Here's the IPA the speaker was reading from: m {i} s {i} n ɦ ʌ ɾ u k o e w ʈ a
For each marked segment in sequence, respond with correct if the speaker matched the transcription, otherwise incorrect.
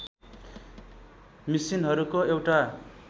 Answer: correct, correct

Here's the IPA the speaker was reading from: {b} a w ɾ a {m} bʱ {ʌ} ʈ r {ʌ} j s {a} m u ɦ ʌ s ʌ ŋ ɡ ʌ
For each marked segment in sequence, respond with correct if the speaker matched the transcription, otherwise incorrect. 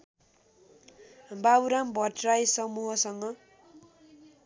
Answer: correct, correct, correct, incorrect: a, incorrect: ʌ

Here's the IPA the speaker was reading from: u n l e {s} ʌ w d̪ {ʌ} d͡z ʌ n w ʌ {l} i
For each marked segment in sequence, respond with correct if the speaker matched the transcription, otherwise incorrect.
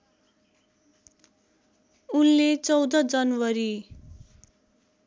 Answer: incorrect: t͡s, correct, incorrect: ɾ

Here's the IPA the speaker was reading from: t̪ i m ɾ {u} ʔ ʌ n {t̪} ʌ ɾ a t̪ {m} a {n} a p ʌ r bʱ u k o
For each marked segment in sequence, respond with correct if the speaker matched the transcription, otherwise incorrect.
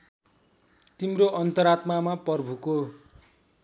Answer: incorrect: o, correct, correct, incorrect: m

